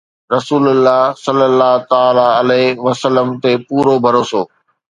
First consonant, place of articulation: alveolar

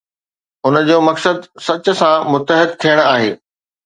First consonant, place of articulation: alveolar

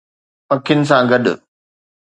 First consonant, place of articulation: labial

